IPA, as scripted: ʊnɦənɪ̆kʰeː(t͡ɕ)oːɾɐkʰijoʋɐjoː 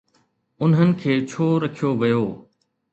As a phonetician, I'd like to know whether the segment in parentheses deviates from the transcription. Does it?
yes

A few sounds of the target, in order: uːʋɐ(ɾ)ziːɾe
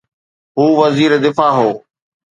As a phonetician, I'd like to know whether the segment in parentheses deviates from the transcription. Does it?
yes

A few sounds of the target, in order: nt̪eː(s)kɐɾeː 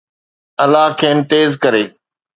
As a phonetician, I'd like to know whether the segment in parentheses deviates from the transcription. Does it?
yes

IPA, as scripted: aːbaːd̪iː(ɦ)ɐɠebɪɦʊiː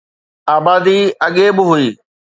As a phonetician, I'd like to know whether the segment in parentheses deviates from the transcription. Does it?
yes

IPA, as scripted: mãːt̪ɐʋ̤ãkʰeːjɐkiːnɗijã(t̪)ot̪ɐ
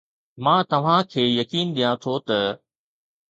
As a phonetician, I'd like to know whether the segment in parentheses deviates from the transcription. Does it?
yes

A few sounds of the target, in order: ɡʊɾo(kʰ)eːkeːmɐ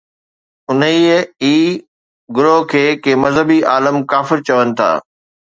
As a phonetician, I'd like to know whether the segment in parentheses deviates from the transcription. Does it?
no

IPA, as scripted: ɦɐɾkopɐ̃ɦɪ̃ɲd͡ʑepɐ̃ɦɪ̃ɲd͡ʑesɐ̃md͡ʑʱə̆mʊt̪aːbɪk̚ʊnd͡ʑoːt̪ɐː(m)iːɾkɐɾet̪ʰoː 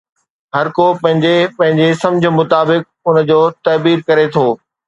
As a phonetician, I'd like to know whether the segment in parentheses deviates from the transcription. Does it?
yes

